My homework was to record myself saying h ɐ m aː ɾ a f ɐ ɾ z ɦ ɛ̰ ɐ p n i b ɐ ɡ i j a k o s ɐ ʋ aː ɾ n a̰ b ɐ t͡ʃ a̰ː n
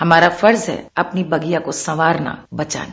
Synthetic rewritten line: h ɐ m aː ɾ a f ɐ ɾ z ɦ ɛ̰ ɐ p n i b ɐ ɡ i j a k o s ɐ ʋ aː ɾ n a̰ b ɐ t͡ʃ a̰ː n